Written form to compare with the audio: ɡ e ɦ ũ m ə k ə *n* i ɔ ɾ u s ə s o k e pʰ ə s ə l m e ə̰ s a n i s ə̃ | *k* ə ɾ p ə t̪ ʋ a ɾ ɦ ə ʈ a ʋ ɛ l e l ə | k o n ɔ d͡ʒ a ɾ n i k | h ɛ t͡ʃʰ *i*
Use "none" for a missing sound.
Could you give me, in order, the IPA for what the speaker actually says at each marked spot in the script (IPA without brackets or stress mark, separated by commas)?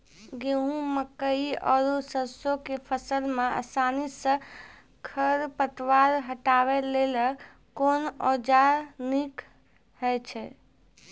none, kʰ, ɛ